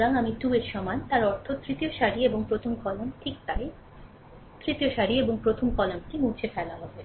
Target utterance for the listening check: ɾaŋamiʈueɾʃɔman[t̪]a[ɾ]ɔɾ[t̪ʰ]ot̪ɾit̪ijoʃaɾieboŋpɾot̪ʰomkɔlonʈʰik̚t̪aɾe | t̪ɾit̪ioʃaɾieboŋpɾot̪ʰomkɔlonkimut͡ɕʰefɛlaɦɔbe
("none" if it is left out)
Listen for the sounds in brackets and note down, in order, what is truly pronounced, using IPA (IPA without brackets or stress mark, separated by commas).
t̪, ɾ, t̪ʰ